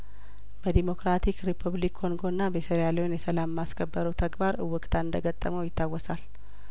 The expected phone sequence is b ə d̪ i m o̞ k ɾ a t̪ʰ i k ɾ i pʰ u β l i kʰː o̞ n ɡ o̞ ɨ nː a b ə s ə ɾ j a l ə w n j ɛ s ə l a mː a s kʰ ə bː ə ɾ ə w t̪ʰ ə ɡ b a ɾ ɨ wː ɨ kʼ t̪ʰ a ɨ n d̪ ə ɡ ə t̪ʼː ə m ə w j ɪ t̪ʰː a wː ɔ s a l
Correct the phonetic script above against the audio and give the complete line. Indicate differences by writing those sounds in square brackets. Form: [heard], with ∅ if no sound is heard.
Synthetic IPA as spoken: b ə d̪ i m o̞ k ɾ a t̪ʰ i k ɾ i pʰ u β l i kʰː o̞ [ŋ] ɡ o̞ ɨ nː a b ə s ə ɾ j a l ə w n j ɛ s ə l a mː a s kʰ ə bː ə ɾ ə w t̪ʰ ə ɡ b a ɾ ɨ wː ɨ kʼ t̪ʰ a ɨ n d̪ ə ɡ ə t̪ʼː ə m ə w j ɪ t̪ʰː a wː ɔ s a l